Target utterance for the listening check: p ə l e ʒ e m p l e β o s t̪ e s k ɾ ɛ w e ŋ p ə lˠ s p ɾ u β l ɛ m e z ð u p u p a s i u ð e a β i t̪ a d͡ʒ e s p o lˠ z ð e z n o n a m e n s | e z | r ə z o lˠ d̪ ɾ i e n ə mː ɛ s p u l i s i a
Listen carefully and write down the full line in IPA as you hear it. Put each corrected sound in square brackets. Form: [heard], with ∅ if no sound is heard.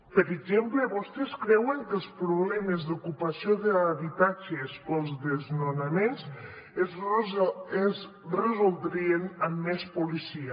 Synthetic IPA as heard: p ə [ɾ] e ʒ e m p l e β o s t̪ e s k ɾ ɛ w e ŋ [k] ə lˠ s p ɾ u β l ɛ m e z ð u [k] u p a s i [o] ð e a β i t̪ a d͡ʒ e s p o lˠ z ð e z n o n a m e n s | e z | r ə z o lˠ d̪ ɾ i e n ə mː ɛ s p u l i s i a